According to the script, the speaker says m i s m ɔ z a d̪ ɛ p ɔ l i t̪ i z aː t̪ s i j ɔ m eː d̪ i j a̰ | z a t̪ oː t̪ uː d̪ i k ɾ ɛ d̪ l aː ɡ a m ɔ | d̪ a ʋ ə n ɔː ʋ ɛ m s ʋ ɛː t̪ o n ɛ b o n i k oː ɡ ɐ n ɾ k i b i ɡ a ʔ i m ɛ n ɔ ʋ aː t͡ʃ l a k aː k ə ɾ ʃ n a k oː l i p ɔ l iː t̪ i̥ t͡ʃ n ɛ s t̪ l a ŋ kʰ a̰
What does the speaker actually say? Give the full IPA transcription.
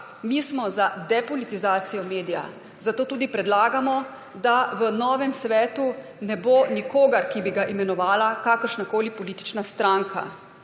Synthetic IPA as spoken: m i s m ɔ z a d̪ ɛ p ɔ l i t̪ i z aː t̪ s i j ɔ m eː d̪ i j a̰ | z a t̪ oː t̪ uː d̪ i p ɾ ɛ d̪ l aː ɡ a m ɔ | d̪ a ʋ ə n ɔː ʋ ɛ m s ʋ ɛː t̪ u n ɛ b o n i k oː ɡ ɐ ɾ k i b i ɡ a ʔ i m ɛ n ɔ ʋ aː l a k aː k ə ɾ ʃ n a k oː l i p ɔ l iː t̪ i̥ t͡ʃ n a s t̪ ɾ a ŋ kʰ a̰